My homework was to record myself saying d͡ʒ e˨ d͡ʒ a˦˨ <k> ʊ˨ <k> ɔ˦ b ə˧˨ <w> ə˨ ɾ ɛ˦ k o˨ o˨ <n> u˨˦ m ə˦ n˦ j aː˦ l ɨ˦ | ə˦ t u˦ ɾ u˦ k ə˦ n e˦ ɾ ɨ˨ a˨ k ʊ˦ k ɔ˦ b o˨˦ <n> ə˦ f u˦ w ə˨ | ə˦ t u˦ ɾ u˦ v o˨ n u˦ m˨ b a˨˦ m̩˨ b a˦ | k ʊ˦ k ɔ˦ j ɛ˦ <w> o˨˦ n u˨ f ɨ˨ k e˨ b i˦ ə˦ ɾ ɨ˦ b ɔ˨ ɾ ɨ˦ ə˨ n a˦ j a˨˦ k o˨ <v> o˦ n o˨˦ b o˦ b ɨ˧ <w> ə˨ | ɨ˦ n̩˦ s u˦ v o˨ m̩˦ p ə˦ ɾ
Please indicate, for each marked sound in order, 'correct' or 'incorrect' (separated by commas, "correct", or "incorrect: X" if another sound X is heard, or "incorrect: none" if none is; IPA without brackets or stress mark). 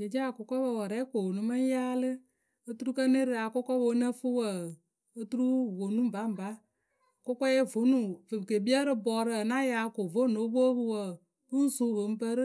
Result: correct, correct, correct, correct, correct, incorrect: v, correct, correct